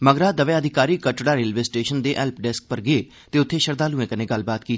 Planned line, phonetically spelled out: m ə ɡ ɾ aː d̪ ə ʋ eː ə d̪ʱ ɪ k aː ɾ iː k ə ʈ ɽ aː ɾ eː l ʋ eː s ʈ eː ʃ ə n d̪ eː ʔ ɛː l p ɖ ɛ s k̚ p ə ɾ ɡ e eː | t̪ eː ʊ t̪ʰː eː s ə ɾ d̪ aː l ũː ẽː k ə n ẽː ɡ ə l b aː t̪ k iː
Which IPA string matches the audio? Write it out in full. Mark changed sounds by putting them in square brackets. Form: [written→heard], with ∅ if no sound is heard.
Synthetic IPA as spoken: m ə ɡ ɾ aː d̪ ə ʋ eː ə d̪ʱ ɪ k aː ɾ iː k ə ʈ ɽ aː ɾ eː l ʋ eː s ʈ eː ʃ ə n d̪ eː ʔ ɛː l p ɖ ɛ s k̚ p ə ɾ ɡ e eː | t̪ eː ʊ t̪ʰː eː [s→ʃ] ə ɾ d̪ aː l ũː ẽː k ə n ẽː ɡ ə l b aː t̪ k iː